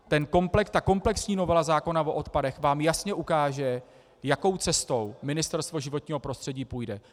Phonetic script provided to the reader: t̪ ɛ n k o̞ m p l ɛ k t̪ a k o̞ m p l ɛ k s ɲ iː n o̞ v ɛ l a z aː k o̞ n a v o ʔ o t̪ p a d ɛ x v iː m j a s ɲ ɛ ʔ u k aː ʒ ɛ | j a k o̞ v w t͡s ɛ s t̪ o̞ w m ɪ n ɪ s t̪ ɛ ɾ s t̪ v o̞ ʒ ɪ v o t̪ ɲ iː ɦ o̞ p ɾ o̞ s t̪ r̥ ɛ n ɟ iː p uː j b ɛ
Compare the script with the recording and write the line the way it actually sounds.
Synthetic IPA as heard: t̪ ɛ n k o̞ m p l ɛ k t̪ a k o̞ m p l ɛ k s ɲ iː n o̞ v ɛ l a z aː k o̞ n a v o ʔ o t̪ p a d ɛ x v aː m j a s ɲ ɛ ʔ u k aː ʒ ɛ | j a k o̞ w t͡s ɛ s t̪ o̞ w m ɪ n ɪ s t̪ ɛ ɾ s t̪ v o̞ ʒ ɪ v o t̪ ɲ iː ɦ o̞ p ɾ o̞ s t̪ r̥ ɛ ɟ iː p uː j d ɛ